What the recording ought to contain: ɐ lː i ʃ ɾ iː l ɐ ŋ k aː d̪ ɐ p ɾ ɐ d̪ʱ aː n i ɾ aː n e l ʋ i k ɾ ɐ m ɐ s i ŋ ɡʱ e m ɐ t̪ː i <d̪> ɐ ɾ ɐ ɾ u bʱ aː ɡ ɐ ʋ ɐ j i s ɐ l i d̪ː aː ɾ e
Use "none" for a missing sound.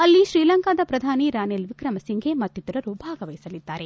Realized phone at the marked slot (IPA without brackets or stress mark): t̪